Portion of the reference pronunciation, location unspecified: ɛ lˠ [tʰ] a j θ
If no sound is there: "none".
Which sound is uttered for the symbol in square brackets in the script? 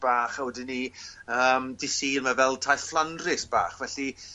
tʰ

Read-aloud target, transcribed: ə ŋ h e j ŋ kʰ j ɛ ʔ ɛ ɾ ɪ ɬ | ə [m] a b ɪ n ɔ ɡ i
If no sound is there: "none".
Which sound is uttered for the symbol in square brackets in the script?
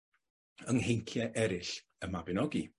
m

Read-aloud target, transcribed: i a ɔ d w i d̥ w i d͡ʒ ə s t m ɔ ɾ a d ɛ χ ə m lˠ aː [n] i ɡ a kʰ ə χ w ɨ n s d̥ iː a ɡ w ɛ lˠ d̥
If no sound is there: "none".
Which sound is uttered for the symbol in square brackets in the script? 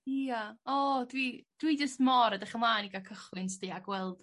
n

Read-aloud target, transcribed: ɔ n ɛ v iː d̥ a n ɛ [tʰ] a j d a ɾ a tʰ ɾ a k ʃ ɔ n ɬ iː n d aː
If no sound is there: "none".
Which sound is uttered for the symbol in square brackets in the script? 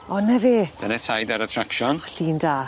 tʰ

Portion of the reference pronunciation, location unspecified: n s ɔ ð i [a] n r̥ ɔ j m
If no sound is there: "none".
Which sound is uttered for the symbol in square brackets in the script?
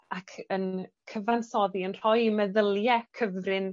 ə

